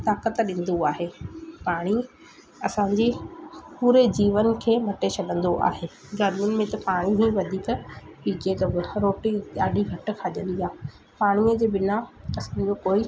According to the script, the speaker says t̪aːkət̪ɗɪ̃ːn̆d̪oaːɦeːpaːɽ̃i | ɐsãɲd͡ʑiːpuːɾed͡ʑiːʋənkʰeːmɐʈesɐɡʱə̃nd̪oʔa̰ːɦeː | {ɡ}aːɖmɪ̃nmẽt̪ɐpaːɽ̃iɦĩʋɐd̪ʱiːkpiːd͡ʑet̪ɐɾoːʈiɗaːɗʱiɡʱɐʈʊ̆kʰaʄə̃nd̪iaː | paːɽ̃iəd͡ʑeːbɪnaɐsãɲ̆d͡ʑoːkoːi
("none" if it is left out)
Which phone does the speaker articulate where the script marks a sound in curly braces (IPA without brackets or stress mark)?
ɡ